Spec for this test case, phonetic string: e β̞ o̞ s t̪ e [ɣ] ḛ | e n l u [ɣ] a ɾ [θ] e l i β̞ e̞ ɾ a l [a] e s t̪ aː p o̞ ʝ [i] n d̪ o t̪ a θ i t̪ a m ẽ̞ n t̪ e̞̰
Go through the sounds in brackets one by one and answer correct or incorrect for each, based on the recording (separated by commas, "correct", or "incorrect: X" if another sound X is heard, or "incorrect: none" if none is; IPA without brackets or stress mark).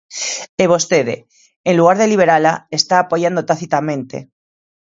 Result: incorrect: ð, correct, incorrect: ð, correct, incorrect: a